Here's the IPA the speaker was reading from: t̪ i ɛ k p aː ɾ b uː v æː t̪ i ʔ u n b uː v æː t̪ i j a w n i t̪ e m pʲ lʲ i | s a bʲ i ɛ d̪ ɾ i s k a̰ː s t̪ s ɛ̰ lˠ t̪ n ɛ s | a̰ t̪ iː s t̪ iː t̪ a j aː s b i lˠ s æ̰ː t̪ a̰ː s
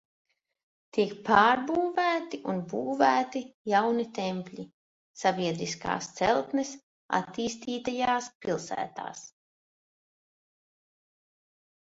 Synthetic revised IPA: t̪ i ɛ k p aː ɾ b uː v æː t̪ i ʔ u n b uː v æː t̪ i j a w n i t̪ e m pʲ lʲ i | s a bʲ i ɛ d̪ ɾ i s k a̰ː s t̪ s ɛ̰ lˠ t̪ n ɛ s | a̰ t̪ iː s t̪ iː t̪ a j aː s p i lˠ s æ̰ː t̪ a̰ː s

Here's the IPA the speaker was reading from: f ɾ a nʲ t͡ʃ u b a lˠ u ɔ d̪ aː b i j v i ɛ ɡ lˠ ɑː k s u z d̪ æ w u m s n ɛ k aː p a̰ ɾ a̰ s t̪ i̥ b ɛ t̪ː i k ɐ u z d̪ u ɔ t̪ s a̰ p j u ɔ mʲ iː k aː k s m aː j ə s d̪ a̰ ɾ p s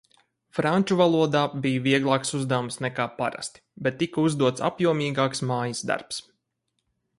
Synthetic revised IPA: f ɾ a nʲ t͡ʃ u v a lˠ u ɔ d̪ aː b i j v i ɛ ɡ lˠ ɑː k s u z d̪ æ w u m s n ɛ k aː p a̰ ɾ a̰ s t̪ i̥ b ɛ t̪ː i k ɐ u z d̪ u ɔ t̪ s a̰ p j u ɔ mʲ iː ɡ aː k s m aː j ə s d̪ a̰ ɾ p s

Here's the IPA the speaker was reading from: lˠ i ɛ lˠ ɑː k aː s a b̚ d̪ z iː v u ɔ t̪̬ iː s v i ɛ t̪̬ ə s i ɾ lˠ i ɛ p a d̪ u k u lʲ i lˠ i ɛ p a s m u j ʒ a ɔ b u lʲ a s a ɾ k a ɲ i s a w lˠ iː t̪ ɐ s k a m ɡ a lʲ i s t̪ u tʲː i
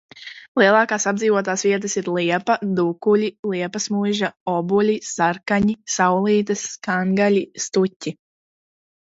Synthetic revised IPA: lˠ i ɛ lˠ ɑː k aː s a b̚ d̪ z iː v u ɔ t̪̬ aː s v i ɛ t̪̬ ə s i ɾ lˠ i ɛ p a d̪ u k u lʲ i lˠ i ɛ p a s m u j ʒ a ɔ b u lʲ i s a ɾ k a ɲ i s a w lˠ iː t̪ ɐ s k a ŋ ɡ a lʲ i s t̪ u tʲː i

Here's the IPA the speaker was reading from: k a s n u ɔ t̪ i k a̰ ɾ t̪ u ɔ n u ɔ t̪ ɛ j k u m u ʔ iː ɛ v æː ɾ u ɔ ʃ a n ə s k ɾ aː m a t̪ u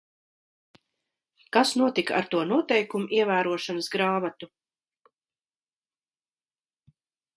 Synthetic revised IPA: k a s n u ɔ t̪ i k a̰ ɾ t̪ u ɔ n u ɔ t̪ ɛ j k u m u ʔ i ɛ v æː ɾ u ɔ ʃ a n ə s ɡ ɾ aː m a t̪ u

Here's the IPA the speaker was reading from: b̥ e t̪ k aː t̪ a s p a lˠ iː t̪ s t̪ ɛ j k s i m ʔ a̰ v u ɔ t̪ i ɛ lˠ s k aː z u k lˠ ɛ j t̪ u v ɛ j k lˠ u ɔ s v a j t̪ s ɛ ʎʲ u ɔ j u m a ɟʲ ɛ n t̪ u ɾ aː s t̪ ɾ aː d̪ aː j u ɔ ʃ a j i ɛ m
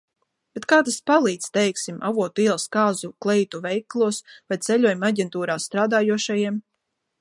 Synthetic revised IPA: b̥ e t̪ k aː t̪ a s p a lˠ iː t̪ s t̪ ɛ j k s i m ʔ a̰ v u ɔ t̪ i ɛ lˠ s k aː z u k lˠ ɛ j t̪ u v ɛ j k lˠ u ɔ s v a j t̪ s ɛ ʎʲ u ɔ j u m a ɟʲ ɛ n t̪ uː ɾ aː s t̪ ɾ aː d̪ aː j u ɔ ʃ a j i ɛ m

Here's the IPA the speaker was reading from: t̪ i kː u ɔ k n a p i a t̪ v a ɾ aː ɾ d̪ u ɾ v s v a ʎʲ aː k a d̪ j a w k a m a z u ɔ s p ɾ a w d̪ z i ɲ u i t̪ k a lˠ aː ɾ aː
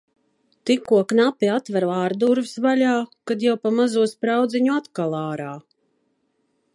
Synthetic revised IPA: t̪ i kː u ɔ k n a p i a t̪ v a ɾ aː ɾ d̪ u ɾ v s v a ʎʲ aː k a d̪ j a w p a m a z u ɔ s p ɾ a w d̪ z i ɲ u a t̪ k a lˠ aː ɾ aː

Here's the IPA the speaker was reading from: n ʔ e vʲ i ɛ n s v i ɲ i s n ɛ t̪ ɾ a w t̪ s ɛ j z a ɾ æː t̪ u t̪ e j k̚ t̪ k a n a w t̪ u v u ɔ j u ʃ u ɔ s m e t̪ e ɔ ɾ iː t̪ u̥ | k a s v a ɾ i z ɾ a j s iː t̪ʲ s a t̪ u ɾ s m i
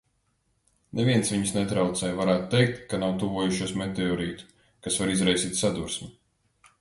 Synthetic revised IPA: n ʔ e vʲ i ɛ n s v i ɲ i s n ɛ t̪ ɾ a w t̪ s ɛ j v a ɾ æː t̪ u t̪ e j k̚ t̪ k a n a w t̪ u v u ɔ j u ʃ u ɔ s m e t̪ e ɔ ɾ iː t̪ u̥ | k a s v a ɾ i z ɾ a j s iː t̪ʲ s a d̪ u ɾ s m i

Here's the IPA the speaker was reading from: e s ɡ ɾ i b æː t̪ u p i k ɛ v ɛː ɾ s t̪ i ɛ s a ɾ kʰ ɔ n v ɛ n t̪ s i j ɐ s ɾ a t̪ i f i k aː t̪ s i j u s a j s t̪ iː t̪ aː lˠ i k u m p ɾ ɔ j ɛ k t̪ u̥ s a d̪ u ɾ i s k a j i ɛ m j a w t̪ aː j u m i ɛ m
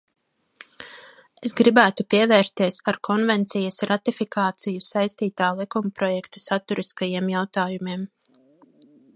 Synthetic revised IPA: e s ɡ ɾ i b æː t̪ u p i ɛ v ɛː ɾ s t̪ i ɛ s a ɾ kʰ ɔ n v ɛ n t̪ s i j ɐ s ɾ a t̪ i f i k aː t̪ s i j u s a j s t̪ iː t̪ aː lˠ i k u m p ɾ ɔ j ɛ k t̪ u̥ s a t̪ u ɾ i s k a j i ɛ m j a w t̪ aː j u m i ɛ m

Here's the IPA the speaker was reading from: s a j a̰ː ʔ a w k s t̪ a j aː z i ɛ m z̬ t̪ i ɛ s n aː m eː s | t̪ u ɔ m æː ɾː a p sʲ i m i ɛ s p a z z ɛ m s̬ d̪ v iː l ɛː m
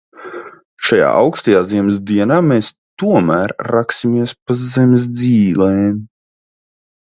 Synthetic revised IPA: ʃ a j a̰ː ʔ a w k s t̪ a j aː z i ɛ m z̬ d̪ i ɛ n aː m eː s | t̪ u ɔ m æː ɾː a k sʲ i m i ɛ s p a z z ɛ m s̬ d̪ z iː l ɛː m

